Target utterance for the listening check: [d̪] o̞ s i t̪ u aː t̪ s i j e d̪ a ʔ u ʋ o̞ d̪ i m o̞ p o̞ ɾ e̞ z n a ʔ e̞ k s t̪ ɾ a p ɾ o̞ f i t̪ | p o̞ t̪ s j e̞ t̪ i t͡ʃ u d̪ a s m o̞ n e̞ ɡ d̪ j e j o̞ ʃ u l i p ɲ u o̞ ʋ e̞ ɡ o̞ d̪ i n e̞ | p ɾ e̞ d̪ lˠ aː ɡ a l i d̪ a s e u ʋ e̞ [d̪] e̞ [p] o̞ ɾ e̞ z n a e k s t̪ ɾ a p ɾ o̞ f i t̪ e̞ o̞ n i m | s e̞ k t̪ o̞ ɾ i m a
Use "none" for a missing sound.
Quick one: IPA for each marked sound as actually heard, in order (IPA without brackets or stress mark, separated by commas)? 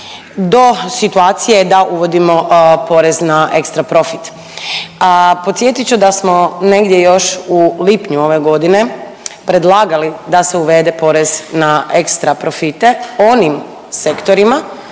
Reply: d̪, d̪, p